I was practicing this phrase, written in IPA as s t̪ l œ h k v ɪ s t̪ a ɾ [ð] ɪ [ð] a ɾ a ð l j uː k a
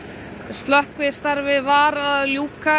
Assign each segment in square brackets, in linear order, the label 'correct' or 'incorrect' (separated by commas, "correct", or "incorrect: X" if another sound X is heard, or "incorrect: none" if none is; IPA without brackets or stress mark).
incorrect: v, incorrect: v